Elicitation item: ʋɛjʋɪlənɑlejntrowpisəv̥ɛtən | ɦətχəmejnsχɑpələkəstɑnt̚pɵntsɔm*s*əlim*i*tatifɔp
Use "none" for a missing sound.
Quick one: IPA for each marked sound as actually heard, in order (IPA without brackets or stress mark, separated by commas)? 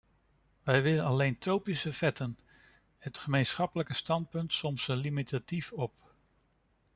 s, i